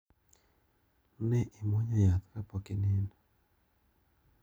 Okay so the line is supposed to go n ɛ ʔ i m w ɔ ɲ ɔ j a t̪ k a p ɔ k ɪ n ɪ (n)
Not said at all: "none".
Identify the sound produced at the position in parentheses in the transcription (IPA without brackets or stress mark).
n